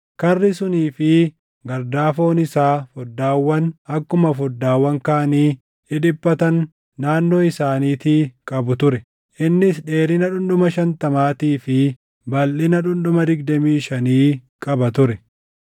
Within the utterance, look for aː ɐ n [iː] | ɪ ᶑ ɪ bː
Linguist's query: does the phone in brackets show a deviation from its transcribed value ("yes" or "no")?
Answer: no